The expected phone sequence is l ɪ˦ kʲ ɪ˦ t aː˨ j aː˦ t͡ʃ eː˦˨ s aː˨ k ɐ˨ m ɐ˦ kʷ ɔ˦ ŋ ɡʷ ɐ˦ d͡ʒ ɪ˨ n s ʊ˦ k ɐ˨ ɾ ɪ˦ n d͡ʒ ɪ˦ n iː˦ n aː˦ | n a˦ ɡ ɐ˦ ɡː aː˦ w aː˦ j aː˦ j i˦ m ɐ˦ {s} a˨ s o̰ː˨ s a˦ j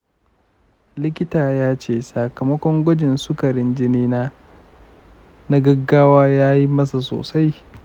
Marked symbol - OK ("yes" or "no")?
yes